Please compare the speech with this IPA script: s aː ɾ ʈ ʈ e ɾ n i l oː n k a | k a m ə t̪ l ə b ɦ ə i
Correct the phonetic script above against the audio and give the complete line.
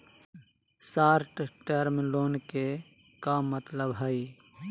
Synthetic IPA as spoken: s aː ɾ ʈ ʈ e ɾ m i l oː n k e | k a m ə t̪ l ə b ɦ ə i